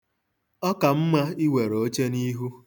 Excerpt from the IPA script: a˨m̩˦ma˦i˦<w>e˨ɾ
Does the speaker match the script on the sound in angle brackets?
yes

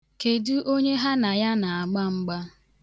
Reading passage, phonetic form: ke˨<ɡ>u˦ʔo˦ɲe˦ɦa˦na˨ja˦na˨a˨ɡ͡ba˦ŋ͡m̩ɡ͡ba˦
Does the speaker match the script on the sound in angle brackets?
no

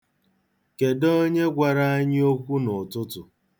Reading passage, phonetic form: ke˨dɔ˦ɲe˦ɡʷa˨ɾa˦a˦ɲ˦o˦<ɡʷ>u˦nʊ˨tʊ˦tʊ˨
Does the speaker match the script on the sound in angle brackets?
no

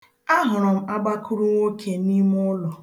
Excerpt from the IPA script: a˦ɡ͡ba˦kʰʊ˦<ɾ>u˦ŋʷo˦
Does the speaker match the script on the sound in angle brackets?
yes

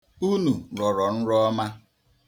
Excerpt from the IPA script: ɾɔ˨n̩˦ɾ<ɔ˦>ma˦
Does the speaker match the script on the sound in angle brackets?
yes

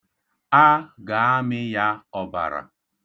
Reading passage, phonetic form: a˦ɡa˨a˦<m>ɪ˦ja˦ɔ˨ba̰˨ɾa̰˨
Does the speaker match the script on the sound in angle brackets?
yes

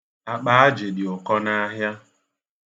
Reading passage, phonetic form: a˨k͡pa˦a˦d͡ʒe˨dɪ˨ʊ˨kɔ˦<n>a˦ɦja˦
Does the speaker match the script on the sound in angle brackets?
yes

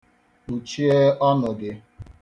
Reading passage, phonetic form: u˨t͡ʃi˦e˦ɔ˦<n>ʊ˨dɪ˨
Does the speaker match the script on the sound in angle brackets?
yes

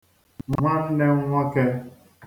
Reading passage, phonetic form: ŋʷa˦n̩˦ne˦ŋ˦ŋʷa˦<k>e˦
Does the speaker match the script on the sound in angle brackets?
yes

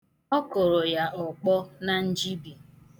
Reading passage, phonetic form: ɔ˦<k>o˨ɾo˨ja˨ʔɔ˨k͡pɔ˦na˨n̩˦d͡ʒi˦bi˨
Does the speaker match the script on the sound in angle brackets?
yes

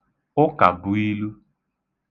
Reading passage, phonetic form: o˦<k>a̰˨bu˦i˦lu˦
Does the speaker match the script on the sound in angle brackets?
yes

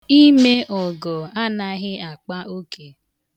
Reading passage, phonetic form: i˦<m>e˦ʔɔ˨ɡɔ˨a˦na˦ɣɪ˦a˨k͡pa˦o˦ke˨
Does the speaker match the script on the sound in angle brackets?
yes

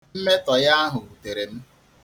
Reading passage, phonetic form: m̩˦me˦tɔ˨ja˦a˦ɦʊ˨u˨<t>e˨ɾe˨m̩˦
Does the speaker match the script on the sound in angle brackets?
yes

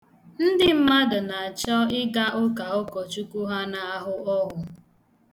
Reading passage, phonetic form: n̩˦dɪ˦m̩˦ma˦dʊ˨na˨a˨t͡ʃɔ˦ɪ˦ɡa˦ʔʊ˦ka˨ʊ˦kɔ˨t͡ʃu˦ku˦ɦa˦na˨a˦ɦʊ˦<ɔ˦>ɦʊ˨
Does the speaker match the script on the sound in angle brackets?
yes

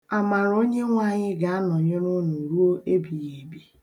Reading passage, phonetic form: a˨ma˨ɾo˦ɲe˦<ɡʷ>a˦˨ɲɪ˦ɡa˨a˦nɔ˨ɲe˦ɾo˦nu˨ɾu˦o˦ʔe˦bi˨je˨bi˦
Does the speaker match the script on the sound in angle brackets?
no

